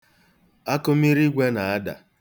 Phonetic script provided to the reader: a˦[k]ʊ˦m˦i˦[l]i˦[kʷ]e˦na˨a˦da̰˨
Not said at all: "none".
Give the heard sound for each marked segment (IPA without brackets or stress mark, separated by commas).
k, ɾ, ɡʷ